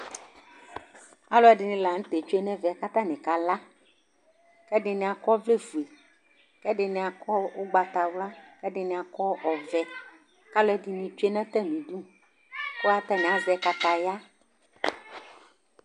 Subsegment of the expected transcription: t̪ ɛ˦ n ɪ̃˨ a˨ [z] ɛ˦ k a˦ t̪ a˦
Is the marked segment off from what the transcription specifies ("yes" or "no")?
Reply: no